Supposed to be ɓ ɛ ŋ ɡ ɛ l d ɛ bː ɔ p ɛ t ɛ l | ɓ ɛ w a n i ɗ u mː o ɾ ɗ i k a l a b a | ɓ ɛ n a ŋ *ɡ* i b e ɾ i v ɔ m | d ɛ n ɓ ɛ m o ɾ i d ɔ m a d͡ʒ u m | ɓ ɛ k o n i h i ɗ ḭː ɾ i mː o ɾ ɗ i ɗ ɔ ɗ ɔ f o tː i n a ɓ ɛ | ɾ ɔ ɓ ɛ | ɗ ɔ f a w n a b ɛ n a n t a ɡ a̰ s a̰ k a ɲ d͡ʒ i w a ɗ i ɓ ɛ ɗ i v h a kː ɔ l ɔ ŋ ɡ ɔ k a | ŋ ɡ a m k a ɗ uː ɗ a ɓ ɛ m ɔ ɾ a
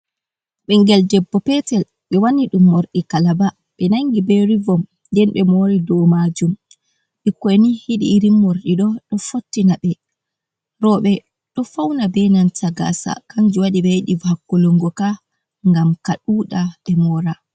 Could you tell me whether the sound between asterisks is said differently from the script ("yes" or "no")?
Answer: no